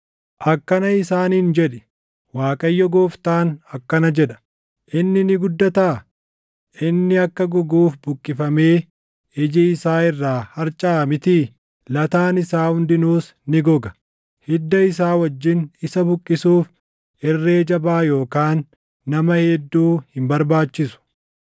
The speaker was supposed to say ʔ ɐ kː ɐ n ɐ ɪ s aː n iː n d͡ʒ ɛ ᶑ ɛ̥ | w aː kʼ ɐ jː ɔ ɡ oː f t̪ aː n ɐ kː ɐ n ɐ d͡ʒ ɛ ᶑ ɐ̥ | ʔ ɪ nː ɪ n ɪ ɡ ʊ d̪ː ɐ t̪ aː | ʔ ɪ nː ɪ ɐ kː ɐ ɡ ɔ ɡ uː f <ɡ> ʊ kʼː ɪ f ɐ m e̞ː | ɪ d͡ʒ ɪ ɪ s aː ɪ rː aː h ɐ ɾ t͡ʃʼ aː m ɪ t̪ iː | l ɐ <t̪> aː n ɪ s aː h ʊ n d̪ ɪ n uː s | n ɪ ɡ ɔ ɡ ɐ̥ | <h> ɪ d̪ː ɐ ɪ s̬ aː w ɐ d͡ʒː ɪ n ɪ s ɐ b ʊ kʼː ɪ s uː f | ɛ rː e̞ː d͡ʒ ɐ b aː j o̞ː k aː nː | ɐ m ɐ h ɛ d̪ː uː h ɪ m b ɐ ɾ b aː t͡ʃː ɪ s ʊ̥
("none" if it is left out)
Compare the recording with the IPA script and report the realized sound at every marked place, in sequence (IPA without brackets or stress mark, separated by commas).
b, t̪, h